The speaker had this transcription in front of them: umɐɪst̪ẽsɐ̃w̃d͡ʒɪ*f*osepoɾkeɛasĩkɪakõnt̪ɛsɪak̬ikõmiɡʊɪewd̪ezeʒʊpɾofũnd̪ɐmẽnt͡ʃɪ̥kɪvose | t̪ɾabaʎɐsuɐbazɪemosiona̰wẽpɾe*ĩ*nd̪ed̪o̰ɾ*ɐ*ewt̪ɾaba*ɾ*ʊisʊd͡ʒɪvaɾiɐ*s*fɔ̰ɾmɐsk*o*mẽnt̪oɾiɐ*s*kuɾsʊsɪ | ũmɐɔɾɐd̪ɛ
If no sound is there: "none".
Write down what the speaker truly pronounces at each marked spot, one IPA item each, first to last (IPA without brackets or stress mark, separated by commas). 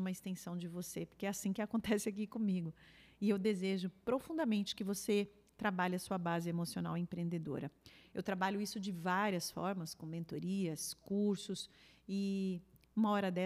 v, ẽ, ɐ, ʎ, s, õ, s